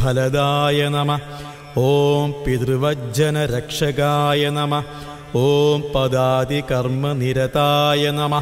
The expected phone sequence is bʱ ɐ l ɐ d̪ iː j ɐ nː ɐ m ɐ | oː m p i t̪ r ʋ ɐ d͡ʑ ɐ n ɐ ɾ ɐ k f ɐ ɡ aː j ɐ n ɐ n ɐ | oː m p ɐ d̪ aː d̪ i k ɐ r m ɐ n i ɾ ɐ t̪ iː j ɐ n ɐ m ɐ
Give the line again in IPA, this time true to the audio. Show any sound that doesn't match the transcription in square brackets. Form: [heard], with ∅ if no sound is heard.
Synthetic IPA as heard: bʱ ɐ l ɐ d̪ [aː] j ɐ [n] ɐ m ɐ | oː m p i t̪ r ʋ ɐ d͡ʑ ɐ n ɐ ɾ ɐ k [ʂ] ɐ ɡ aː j ɐ n ɐ [m] ɐ | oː m p ɐ d̪ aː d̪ i k ɐ r m ɐ n i ɾ ɐ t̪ [aː] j ɐ n ɐ m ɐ